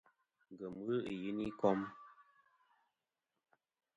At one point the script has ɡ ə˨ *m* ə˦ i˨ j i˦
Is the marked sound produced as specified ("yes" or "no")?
yes